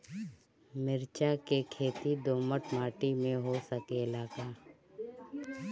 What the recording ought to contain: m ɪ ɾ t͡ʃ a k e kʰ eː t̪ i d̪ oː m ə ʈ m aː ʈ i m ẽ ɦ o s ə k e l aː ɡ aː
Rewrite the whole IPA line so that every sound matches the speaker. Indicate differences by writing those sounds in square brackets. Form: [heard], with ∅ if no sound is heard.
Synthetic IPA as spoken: m ɪ ɾ t͡ʃ a k e kʰ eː t̪ i d̪ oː m ə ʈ m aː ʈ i m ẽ ɦ o s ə k e l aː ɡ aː